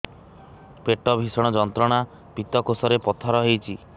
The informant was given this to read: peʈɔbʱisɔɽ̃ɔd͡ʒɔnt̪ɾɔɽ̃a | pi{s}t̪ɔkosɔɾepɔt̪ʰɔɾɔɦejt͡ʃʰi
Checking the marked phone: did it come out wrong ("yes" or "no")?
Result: yes